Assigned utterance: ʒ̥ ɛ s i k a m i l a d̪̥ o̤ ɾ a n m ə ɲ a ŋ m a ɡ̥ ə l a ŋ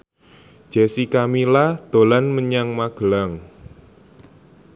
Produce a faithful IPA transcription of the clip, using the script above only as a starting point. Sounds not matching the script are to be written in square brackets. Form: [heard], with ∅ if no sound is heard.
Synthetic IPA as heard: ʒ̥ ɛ s i k a m i l a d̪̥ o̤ [l] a n m ə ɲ a ŋ m a ɡ̥ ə l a ŋ

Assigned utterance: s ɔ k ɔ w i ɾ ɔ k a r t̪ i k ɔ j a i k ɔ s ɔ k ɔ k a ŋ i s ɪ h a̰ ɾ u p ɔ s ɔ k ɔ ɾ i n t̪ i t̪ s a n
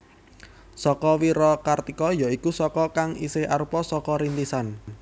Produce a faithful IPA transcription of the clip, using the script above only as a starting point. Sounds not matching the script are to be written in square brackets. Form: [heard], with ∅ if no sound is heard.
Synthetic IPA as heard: s ɔ k ɔ w i ɾ ɔ k a r t̪ i k ɔ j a i k [u] s ɔ k ɔ k a ŋ i s ɪ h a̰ ɾ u p ɔ s ɔ k ɔ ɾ i n t̪ i [∅] s a n

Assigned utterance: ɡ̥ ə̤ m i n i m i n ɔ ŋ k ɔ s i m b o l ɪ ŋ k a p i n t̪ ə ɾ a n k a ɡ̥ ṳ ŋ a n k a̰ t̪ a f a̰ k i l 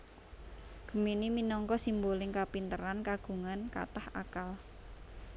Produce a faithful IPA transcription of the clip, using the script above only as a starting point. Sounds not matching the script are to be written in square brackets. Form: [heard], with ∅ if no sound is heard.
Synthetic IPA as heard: ɡ̥ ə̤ m i n i m i n ɔ ŋ k ɔ s i m b o l ɪ ŋ k a p i n t̪ ə ɾ a n k a ɡ̥ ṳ ŋ a n k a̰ t̪ a [h] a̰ k [a] l

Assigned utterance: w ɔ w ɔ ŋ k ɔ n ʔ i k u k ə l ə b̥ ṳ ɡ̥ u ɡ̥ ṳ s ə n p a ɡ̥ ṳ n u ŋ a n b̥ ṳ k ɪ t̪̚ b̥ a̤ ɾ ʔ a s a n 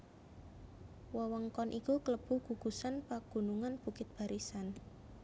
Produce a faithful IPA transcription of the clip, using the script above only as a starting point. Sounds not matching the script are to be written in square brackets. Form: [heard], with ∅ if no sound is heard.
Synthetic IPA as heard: w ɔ w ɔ ŋ k ɔ n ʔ i k u k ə l ə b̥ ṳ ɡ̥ u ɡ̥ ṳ s [a] n p a ɡ̥ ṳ n u ŋ a n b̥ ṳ k ɪ t̪̚ b̥ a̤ ɾ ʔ [i] s a n

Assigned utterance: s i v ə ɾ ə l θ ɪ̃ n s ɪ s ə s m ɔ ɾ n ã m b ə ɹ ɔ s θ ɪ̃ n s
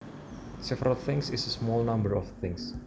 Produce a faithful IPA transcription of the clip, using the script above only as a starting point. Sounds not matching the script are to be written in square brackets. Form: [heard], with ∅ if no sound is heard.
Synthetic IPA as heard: s [ɛ] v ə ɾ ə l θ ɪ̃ [ŋ] s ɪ s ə s m ɔ [l] n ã m b ə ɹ ɔ [f] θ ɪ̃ [ŋ] s

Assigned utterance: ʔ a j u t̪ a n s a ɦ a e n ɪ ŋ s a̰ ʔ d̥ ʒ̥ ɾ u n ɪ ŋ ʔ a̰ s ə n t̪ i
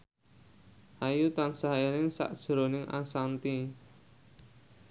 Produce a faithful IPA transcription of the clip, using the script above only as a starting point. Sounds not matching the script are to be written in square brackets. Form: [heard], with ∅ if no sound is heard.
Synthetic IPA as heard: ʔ a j u t̪ a n s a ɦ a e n ɪ ŋ s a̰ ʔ d̥ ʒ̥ ɾ [o] n ɪ ŋ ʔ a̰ s [a] n t̪ i

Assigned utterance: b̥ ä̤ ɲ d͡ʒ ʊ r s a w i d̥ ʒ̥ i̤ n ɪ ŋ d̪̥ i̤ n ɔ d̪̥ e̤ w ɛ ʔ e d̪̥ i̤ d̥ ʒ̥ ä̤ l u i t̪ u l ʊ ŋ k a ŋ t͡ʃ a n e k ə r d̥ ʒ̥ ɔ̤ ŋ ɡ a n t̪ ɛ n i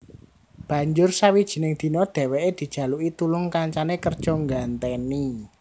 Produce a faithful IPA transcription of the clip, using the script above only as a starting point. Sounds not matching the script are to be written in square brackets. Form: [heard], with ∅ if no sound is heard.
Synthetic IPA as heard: b̥ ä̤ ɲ d͡ʒ ʊ r s a w i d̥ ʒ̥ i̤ n ɪ ŋ d̪̥ i̤ n ɔ d̪̥ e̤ w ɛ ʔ e d̪̥ i̤ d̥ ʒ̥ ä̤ l u i t̪ u l ʊ ŋ k a [ɲ] t͡ʃ a n e k ə r d̥ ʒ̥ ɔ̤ ŋ ɡ a n t̪ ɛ n i

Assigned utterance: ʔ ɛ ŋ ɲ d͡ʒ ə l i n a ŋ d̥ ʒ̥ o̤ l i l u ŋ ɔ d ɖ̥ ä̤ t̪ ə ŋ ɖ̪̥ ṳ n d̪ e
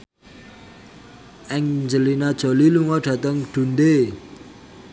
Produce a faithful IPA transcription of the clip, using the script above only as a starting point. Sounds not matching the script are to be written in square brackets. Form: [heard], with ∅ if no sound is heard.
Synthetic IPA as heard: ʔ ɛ ŋ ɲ d͡ʒ ə l i n a [∅] d̥ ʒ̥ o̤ l i l u ŋ ɔ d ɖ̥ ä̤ t̪ ə ŋ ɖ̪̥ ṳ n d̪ e

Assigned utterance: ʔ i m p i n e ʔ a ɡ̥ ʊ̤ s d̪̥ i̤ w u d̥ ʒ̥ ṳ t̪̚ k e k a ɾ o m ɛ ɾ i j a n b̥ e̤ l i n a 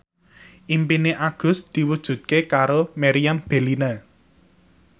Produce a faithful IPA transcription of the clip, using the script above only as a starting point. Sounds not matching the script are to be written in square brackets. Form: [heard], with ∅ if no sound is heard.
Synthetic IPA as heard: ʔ i m p i n e ʔ a ɡ̥ ʊ̤ s d̪̥ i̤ w u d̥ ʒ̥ ṳ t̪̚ k e k a ɾ o m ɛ ɾ i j a [m] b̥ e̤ l i n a

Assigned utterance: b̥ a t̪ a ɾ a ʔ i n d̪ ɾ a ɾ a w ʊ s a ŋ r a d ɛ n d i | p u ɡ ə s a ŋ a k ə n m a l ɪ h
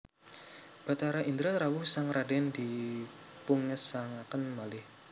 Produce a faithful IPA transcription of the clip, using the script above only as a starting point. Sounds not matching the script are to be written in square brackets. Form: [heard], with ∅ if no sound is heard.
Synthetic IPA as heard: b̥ a t̪ a ɾ a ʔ i n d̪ ɾ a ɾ a w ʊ s a ŋ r a d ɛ n d i | p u [ŋ] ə s a ŋ a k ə n m a l ɪ h

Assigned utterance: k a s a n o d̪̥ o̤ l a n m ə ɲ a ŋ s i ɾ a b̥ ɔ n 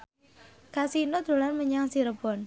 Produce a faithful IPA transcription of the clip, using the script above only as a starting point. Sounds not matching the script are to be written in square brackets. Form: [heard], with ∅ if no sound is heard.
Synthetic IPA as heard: k a s [i] n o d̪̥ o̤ l a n m ə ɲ a ŋ s i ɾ [ə] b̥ ɔ n

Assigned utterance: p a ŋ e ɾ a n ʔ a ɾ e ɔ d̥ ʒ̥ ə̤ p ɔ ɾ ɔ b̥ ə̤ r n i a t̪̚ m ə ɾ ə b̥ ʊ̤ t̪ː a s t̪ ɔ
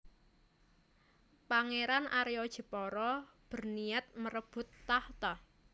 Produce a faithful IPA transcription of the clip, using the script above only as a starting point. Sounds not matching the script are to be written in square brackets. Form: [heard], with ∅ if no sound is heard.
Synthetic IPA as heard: p a ŋ e ɾ a n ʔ a ɾ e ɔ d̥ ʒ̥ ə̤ p ɔ ɾ ɔ b̥ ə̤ r n i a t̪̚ m ə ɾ ə b̥ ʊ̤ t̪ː a [h] t̪ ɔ

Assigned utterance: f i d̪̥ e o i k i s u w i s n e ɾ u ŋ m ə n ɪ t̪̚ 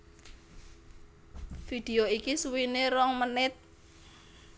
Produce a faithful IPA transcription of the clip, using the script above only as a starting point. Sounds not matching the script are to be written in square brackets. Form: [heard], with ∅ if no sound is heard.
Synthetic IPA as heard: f i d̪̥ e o i k i s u w i [∅] n e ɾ [ɔ] ŋ m ə n ɪ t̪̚

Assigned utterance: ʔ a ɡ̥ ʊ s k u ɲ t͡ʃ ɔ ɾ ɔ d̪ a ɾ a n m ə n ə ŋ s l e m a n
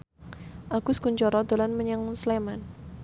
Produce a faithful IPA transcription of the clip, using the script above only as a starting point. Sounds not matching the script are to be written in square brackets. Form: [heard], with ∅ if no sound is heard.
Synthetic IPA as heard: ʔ a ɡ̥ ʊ s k u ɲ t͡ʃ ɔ ɾ ɔ d̪ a [l] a n m ə [ɲ] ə ŋ s l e m a n

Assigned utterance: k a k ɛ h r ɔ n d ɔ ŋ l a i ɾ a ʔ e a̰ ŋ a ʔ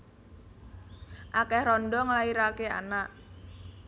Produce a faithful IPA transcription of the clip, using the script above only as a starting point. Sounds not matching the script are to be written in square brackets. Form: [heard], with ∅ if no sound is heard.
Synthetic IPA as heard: [ʔ] a k ɛ h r ɔ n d ɔ ŋ l a i ɾ a [k] e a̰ [n] a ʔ

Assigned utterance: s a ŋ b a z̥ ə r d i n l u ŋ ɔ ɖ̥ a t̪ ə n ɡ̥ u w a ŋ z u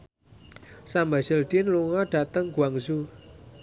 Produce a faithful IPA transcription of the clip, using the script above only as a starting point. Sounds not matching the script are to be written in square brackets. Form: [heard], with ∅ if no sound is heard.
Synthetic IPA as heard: s a [m] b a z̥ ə [l] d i n l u ŋ ɔ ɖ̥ a t̪ ə [ŋ] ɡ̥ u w a ŋ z u

